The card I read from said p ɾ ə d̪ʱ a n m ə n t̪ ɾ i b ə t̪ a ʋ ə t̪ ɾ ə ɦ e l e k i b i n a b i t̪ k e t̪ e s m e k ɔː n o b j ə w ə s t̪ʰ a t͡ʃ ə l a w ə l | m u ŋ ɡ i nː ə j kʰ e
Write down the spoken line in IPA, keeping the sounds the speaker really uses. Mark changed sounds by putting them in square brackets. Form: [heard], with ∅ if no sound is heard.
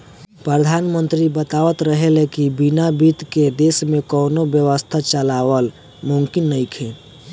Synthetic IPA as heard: p ɾ ə d̪ʱ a n m ə n t̪ ɾ i b ə t̪ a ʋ ə t̪ ɾ ə ɦ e l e k i b i n a b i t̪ k e [d̪] e s m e k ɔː n o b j ə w ə s t̪ʰ a t͡ʃ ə l a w ə l | m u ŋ [k] i nː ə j kʰ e